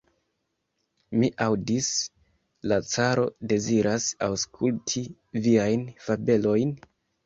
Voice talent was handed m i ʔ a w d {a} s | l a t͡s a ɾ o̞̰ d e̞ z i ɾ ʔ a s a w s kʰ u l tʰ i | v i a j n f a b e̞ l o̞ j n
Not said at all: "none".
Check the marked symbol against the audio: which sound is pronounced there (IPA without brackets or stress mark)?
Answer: i